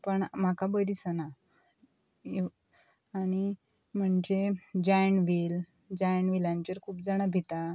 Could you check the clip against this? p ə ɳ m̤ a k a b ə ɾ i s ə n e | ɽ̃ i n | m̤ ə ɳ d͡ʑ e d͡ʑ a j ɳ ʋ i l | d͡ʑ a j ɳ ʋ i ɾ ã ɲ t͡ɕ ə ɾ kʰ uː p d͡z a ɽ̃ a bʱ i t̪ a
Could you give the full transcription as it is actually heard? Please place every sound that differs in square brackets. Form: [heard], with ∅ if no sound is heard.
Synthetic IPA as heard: p ə ɳ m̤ a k a b ə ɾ i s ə n [a] | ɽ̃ i [∅] | m̤ ə ɳ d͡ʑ e d͡ʑ a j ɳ ʋ i l | d͡ʑ a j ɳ ʋ i [l] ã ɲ t͡ɕ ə ɾ kʰ uː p d͡z a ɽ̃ a bʱ i t̪ a